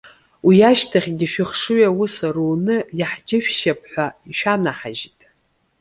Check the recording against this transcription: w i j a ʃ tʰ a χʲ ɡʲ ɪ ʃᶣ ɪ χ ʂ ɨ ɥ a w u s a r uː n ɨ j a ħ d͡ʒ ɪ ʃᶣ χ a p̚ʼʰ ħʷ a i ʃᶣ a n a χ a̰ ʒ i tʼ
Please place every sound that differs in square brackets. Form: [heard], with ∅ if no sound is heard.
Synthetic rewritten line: w i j a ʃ tʰ a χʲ ɡʲ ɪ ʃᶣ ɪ χ ʂ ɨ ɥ a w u s a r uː n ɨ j a ħ d͡ʒ ɪ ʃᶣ [ʃ] a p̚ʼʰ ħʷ a i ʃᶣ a n a [ħ] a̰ ʒ i tʼ